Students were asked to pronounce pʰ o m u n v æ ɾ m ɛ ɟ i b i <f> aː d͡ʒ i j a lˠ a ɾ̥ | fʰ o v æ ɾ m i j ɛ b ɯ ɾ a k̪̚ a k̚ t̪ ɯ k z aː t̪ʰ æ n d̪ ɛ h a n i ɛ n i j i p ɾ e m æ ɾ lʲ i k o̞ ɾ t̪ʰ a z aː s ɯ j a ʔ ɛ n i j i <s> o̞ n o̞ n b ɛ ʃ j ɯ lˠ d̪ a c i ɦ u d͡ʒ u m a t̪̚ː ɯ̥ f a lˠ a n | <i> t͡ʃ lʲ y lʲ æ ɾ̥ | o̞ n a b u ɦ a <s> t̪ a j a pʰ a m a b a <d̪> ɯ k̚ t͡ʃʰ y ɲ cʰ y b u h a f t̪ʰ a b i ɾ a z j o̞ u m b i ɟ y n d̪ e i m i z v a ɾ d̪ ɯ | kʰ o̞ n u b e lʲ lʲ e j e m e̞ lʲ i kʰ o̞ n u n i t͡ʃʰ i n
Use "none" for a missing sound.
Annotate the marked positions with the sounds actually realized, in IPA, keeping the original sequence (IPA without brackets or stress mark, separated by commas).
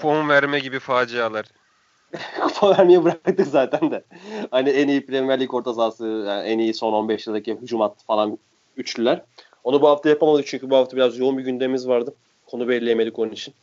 f, s, y, f, d̪